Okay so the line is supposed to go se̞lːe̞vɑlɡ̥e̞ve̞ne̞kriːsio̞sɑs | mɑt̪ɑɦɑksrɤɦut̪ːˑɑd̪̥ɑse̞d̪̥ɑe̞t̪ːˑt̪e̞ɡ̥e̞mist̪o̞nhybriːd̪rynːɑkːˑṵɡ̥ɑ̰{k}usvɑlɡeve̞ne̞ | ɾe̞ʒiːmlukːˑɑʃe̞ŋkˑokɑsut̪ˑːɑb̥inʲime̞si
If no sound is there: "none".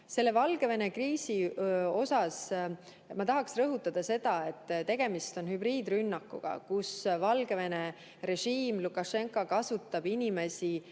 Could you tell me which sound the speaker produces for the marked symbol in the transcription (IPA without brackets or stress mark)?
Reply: k